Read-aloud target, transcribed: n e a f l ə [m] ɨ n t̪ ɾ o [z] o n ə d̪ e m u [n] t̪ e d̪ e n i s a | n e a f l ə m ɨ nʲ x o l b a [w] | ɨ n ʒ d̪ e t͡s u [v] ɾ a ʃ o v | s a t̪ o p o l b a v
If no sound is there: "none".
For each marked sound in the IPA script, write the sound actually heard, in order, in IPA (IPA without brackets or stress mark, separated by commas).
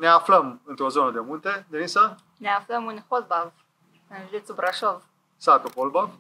m, z, n, v, b